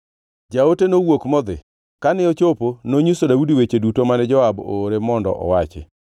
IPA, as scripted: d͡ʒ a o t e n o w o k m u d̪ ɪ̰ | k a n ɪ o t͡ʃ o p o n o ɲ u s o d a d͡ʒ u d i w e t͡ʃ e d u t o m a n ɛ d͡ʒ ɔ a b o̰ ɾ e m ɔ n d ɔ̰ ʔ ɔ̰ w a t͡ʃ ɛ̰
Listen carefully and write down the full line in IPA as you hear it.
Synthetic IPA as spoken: d͡ʒ a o t e n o w o k m ɔ d̪ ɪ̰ | k a n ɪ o t͡ʃ o p o n o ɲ u s o d a u d i w e t͡ʃ e d u t o m a n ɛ d͡ʒ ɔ a b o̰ ɾ e m ɔ n d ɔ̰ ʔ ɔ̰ w a t͡ʃ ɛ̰

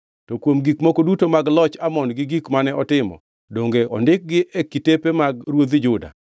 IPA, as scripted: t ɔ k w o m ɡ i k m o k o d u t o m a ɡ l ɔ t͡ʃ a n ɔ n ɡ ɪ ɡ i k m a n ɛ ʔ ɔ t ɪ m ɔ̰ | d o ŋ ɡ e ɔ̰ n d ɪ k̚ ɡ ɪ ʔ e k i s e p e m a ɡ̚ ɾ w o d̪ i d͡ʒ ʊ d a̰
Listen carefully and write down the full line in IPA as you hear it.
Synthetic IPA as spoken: t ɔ k w o m ɡ i k m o k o d u t o m a ɡ l ɔ t͡ʃ a m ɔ n ɡ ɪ ɡ i k m a n ɛ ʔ ɔ t ɪ m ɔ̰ | d o ŋ ɡ e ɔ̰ n d ɪ k̚ ɡ ɪ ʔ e k i t e p e m a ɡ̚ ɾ w o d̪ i d͡ʒ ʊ d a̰

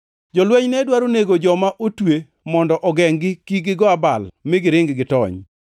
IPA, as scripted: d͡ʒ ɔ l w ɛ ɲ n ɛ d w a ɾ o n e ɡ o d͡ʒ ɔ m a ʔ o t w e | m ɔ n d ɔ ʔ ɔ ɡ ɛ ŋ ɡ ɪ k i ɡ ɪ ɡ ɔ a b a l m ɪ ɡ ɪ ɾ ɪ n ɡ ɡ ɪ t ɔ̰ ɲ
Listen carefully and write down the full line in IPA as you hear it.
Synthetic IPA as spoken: d͡ʒ ɔ l w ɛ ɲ n ɛ d w a ɾ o n e ɡ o d͡ʒ ɔ m a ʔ o t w e | m ɔ n d ɔ ʔ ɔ ɡ ɛ ŋ ɡ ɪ k i ɡ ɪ ɡ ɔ a b a l m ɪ ɡ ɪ ɾ ɪ ŋ ɡ ɡ ɪ t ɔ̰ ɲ

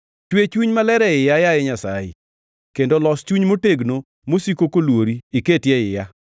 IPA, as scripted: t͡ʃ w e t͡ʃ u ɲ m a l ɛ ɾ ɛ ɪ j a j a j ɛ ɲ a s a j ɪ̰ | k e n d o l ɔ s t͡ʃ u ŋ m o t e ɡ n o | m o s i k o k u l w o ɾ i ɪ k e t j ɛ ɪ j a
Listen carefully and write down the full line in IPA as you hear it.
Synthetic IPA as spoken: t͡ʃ w e t͡ʃ u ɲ m a l ɛ ɾ ɛ ɪ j a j a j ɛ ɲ a s a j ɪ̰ | k e n d o l ɔ s t͡ʃ u ɲ m o t e ɡ n o | m o s i k o k o l w o ɾ i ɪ k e t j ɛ ɪ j a

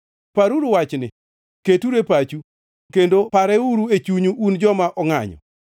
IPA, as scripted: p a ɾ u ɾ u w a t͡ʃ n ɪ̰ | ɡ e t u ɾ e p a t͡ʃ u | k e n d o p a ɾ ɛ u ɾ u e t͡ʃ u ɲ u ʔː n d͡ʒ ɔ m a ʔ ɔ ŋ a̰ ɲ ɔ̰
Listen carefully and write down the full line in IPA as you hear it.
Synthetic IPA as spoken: p a ɾ u ɾ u w a t͡ʃ n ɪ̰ | k e t u ɾ e p a t͡ʃ u | k e n d o p a ɾ ɛ u ɾ u e t͡ʃ u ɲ u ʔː n d͡ʒ ɔ m a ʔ ɔ ŋ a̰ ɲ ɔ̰

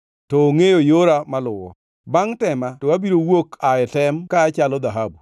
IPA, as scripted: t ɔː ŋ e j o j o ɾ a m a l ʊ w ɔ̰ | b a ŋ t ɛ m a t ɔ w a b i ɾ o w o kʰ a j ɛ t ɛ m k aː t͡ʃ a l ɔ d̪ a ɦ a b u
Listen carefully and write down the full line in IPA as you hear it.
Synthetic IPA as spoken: t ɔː ŋ e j o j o ɾ a m a l ʊ w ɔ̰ | b a ŋ t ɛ m a t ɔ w a b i ɾ o w o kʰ a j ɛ t ɛ m k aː t͡ʃ a l ɔ d̪ a ɦ a b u

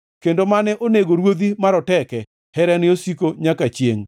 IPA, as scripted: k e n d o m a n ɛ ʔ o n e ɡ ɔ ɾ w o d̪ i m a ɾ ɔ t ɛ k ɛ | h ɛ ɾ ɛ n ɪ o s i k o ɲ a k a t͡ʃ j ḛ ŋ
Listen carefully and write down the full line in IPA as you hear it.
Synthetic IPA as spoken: k e n d o m a n ɛ ʔ o n e ɡ o ɾ w o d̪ i m a ɾ ɔ t ɛ k ɛ | h ɛ ɾ ɛ n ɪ o s i k o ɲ a k a t͡ʃ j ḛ ŋ

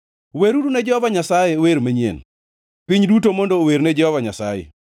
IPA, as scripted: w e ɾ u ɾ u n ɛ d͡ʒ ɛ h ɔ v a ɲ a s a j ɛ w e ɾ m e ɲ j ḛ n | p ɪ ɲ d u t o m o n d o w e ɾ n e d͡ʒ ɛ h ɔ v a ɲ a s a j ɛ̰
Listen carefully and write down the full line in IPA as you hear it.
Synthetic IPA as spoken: w e ɾ u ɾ u n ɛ d͡ʒ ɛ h ɔ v a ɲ a s a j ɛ w e ɾ m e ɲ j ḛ n | p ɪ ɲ d u t o m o n d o w e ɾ n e d͡ʒ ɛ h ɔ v a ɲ a s a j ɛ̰

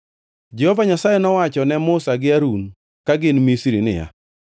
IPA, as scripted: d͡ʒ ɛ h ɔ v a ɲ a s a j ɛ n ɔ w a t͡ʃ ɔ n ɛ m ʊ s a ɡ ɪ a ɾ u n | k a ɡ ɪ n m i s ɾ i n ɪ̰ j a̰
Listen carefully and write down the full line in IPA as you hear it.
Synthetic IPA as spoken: d͡ʒ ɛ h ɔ v a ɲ a s a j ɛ n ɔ w a t͡ʃ ɔ n ɛ m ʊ s a ɡ ɪ a ɾ u n | k a ɡ ɪ n m i s ɾ i n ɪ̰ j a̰

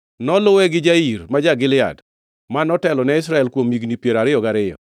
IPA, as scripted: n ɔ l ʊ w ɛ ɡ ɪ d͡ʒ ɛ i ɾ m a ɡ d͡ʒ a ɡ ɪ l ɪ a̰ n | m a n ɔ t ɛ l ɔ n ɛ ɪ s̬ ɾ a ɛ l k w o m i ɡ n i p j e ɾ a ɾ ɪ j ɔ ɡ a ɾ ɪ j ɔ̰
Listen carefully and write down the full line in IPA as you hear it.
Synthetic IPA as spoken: n ɔ l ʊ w ɛ ɡ ɪ d͡ʒ a i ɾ m a d͡ʒ a ɡ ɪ l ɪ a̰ d | m a n ɔ t ɛ l ɔ n ɛ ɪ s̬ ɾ a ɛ l k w o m i ɡ n i p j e ɾ a ɾ ɪ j ɔ ɡ a ɾ ɪ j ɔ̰

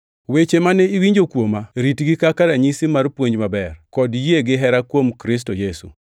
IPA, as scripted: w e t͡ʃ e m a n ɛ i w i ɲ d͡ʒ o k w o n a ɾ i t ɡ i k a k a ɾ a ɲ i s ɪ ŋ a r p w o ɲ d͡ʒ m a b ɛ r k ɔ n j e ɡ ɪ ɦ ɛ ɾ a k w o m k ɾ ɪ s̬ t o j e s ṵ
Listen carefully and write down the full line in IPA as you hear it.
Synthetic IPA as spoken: w e t͡ʃ e m a n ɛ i w i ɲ d͡ʒ o k w o m a ɾ i t ɡ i k a k a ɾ a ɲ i s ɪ m a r p w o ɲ d͡ʒ m a b ɛ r k ɔ d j e ɡ ɪ ɦ ɛ ɾ a k w o m k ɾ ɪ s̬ t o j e s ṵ

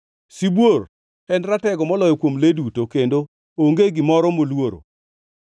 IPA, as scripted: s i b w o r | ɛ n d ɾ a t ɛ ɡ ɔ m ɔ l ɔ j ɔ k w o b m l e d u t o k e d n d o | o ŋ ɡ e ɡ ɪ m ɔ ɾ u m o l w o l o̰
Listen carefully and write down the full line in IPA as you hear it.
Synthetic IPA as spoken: s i b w o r | ɛ n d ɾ a t ɛ ɡ ɔ m ɔ l ɔ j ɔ k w o m l e d u t o k e n d o | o ŋ ɡ e ɡ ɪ m ɔ ɾ ɔ m o l w o ɾ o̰

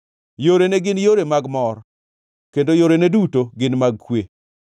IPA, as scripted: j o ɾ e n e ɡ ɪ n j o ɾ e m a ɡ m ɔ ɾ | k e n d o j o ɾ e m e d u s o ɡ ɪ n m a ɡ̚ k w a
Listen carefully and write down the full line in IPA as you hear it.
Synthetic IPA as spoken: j o ɾ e n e ɡ ɪ n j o ɾ e m a ɡ m ɔ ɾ | k e n d o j o ɾ e n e d u t o ɡ ɪ n m a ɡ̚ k w e

